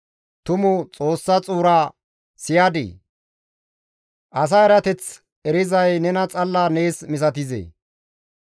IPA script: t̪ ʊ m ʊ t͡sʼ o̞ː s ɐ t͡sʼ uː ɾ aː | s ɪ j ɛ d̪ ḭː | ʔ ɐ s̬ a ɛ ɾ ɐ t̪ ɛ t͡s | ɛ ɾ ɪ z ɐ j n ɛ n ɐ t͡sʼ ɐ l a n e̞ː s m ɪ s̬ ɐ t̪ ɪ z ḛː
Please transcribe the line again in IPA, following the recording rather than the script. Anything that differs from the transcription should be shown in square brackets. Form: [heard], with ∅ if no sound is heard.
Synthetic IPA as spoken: t̪ ʊ m ʊ t͡sʼ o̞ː [sː] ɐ t͡sʼ uː ɾ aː | s ɪ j [a] d̪ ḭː | ʔ ɐ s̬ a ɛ ɾ ɐ t̪ ɛ t͡s | ɛ ɾ ɪ z ɐ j n ɛ n ɐ t͡sʼ ɐ [lː] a n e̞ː s m ɪ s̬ ɐ t̪ ɪ z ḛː